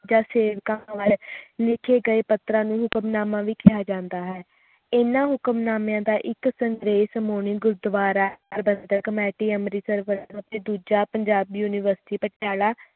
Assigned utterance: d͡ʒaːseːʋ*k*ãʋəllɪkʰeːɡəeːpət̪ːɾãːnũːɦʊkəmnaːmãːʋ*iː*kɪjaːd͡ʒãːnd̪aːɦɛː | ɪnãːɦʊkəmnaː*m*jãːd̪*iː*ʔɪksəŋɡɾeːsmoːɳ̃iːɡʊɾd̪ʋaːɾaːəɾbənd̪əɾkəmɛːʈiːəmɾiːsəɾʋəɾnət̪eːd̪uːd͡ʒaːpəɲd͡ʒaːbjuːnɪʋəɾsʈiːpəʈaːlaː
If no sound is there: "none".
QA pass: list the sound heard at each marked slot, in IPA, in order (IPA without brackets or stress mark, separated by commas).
k, iː, m, aː